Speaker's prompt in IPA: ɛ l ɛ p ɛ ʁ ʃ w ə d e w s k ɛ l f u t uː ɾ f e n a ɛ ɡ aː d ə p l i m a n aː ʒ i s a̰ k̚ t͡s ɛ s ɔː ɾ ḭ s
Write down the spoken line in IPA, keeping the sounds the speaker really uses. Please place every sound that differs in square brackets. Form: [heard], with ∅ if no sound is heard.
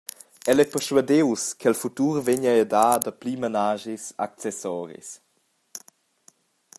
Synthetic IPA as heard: ɛ l ɛ p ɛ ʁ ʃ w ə d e w s k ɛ l f u t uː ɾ [v] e [ɲ] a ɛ [d] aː d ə p l i m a n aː ʒ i s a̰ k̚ t͡s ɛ s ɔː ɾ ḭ s

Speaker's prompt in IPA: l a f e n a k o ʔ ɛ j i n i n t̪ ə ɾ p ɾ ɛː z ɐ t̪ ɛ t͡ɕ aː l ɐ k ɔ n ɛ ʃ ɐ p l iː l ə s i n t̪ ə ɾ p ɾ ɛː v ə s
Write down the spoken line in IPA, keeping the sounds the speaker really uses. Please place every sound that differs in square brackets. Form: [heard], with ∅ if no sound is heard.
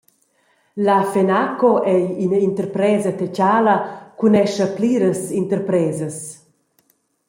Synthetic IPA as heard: l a f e n a k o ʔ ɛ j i n i n t̪ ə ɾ p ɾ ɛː z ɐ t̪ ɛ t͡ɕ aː l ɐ k [u] n ɛ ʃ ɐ p l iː [ɾ] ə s i n t̪ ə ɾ p ɾ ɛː [z] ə s

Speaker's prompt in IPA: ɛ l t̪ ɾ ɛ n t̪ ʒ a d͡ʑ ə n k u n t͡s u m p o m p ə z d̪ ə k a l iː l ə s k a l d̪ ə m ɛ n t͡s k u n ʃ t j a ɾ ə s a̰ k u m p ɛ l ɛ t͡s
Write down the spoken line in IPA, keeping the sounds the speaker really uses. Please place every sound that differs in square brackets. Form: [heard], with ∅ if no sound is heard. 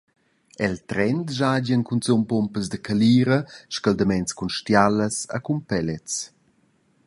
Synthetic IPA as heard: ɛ l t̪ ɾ ɛ n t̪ ʒ a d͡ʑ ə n k u n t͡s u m p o m p ə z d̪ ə k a l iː [ɾ] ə [ʃ] k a l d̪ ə m ɛ n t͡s k u n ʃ t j a [l] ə s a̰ k u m p ɛ l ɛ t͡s

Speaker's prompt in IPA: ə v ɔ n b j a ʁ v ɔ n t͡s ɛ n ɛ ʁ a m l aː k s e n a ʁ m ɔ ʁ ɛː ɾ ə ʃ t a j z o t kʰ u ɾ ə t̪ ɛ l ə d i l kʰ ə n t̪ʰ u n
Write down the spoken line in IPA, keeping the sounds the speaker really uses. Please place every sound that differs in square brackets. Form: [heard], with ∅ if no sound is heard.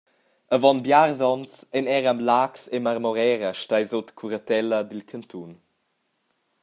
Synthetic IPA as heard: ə v ɔ n b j a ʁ [z] ɔ n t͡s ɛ n ɛ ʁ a m l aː k s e [m] a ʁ m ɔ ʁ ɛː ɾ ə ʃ t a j z o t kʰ u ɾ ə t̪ ɛ l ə d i l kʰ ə n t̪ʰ u n

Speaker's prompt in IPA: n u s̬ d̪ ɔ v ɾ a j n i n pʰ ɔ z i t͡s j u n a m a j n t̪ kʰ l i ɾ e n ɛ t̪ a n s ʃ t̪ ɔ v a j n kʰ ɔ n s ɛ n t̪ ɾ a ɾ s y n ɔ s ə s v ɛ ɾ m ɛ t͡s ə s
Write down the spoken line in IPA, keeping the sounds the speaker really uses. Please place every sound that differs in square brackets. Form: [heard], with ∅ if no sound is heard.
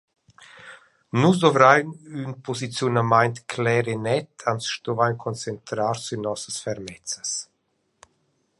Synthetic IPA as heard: n u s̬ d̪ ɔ v ɾ a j n [y] n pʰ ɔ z i t͡s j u n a m a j n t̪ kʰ l [ɛ] ɾ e n ɛ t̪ a n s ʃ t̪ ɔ v a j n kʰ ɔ n [t͡s] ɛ n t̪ ɾ a ɾ s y n ɔ s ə s [f] ɛ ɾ m ɛ t͡s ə s

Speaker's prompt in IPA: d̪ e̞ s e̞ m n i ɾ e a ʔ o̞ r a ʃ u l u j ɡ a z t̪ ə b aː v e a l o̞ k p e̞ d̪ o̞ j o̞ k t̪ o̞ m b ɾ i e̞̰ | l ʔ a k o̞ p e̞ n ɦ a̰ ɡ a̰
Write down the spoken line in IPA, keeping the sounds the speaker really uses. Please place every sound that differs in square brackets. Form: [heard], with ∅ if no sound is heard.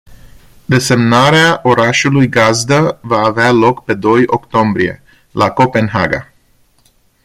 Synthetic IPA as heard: d̪ e̞ s e̞ m n [a] ɾ e a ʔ o̞ [ɾ] a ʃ u l u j ɡ a z [d̪] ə [v] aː v e a l o̞ k p e̞ d̪ o̞ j o̞ k t̪ o̞ m b ɾ i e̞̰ | l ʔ a k o̞ p e̞ n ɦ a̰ ɡ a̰

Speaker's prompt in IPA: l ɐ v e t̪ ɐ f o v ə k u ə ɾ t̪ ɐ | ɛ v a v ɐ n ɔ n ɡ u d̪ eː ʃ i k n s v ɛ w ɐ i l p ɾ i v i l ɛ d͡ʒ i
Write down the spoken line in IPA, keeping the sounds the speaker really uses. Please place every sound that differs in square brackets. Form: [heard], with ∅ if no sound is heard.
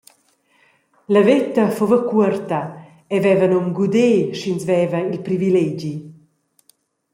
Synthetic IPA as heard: l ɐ v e t̪ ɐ f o v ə k u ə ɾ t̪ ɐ | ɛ v [ɛ] v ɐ n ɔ [m] ɡ u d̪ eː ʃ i [∅] n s v ɛ [v] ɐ i l p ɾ i v i l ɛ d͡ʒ i

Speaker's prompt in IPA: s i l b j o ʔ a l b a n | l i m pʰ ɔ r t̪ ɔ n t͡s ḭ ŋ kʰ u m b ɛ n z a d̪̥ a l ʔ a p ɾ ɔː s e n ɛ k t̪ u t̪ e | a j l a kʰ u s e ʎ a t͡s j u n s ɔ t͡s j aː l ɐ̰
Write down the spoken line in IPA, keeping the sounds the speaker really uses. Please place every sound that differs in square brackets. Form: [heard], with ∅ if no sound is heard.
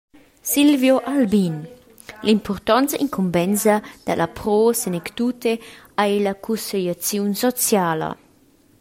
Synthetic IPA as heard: s i l [v] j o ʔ a l b [i] n | l i m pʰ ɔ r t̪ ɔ n t͡s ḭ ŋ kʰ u m b ɛ n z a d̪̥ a l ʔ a p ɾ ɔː s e n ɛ k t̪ u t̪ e | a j l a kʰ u s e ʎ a t͡s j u n s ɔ t͡s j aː l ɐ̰

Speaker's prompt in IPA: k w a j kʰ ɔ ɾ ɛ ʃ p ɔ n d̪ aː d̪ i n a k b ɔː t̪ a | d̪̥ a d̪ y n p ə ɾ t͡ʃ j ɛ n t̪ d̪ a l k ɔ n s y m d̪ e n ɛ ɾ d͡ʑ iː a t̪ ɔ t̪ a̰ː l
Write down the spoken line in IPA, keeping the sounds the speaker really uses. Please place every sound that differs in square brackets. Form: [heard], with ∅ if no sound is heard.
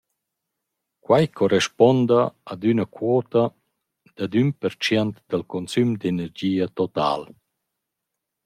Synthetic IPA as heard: k w a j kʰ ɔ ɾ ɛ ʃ p ɔ n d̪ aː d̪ [y] n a k [w] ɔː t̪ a | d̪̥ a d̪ y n p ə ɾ t͡ʃ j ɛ n t̪ d̪ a l k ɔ n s y m d̪ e n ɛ ɾ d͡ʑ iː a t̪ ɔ t̪ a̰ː l

